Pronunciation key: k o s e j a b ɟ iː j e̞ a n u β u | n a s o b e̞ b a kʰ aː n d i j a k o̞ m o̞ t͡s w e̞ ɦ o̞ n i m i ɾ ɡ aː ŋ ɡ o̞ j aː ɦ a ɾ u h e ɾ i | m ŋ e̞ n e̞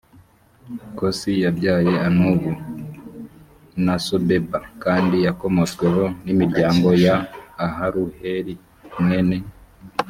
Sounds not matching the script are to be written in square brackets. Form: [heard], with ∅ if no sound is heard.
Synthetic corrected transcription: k o s [i] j a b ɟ [aː] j e̞ a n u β u | n a s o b e̞ b a [k] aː n d i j a k o̞ m o̞ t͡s w e̞ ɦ o̞ n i m i ɾ [ɟ] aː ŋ ɡ o̞ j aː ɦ a ɾ u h e ɾ i | m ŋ e̞ n e̞